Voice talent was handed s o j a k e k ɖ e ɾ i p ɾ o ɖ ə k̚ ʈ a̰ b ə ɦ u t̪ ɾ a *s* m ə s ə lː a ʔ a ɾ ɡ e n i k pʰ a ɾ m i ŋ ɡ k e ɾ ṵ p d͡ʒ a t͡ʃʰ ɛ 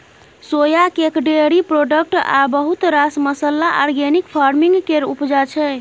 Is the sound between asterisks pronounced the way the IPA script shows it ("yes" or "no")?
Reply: yes